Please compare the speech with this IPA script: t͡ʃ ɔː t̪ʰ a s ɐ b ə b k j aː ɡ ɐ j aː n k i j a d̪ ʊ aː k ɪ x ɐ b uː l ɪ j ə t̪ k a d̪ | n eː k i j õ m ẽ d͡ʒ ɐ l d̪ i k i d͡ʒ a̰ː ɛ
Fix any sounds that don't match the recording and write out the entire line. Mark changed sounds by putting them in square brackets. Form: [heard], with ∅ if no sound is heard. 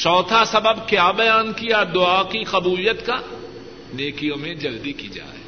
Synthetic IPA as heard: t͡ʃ ɔː t̪ʰ a s ɐ b ə b k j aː [b] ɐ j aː n k i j a d̪ ʊ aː k [i] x ɐ b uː l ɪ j ə t̪ k a [∅] | n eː k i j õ m ẽ d͡ʒ ɐ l d̪ i k i d͡ʒ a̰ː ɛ